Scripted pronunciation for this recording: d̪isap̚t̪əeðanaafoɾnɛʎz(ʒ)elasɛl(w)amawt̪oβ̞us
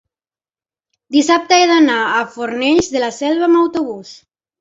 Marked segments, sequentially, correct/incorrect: incorrect: ð, incorrect: β

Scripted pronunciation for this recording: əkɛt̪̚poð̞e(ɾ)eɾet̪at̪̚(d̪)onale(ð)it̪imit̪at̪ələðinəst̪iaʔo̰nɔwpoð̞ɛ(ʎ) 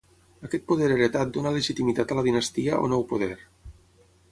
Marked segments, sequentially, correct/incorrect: correct, correct, incorrect: ʒ, incorrect: ɾ

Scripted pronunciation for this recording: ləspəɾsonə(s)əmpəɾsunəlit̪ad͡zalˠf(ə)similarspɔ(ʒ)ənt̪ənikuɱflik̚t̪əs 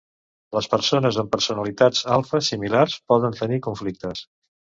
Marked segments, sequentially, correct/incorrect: incorrect: z, correct, incorrect: ð

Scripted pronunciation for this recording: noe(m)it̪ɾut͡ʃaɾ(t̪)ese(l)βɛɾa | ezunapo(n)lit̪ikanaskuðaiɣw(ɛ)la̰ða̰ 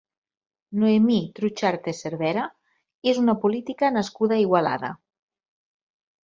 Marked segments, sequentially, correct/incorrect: correct, correct, incorrect: ɾ, incorrect: none, incorrect: a

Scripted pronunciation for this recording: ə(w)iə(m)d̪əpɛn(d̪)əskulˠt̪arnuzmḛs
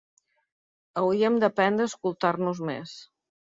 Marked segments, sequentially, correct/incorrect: correct, correct, correct

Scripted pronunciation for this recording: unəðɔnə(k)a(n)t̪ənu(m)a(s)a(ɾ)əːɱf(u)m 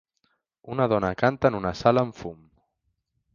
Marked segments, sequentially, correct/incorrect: correct, correct, incorrect: n, correct, incorrect: l, correct

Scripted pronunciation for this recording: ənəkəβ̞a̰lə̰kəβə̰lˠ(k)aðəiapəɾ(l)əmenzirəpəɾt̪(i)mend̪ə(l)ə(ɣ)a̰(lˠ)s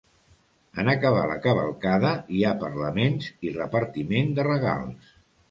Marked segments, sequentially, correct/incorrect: correct, correct, correct, incorrect: r, correct, correct

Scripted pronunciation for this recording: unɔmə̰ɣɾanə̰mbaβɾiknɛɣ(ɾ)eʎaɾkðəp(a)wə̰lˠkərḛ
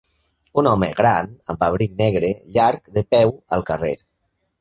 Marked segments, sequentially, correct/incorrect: correct, incorrect: ɛ

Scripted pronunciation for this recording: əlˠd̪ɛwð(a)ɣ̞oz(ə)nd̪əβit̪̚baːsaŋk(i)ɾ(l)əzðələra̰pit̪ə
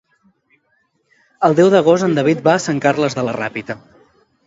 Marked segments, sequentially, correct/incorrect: incorrect: ə, correct, incorrect: a, correct

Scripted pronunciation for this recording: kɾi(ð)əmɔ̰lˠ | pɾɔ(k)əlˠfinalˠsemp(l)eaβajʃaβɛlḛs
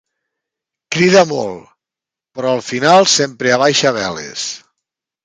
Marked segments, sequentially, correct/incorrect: correct, incorrect: none, incorrect: ɾ

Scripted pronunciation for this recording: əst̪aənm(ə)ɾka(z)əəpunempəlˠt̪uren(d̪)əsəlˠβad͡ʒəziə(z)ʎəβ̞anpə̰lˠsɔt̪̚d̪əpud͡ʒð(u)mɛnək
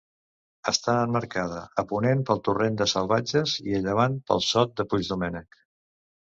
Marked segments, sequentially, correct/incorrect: correct, incorrect: ð, correct, incorrect: none, correct

